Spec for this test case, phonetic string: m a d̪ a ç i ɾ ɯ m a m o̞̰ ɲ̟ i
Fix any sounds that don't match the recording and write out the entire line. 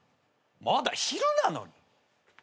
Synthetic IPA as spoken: m a d̪ a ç i ɾ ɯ n a n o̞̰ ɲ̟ i